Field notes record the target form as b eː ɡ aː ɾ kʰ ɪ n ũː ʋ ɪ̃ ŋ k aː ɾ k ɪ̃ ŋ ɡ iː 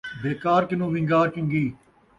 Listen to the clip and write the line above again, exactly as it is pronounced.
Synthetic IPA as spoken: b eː k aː ɾ k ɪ n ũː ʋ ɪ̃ ŋ ɡ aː ɾ k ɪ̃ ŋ ɡ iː